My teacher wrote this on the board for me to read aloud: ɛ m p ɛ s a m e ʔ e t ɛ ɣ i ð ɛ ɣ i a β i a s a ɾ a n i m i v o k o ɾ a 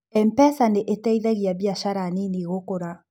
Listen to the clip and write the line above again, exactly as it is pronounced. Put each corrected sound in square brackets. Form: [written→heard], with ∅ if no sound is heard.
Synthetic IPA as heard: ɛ m p ɛ s a [m→n] e ʔ e t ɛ [ɣ→∅] i ð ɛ ɣ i a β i a [s→ʃ] a ɾ a n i [m→n] i [v→ɣ] o k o ɾ a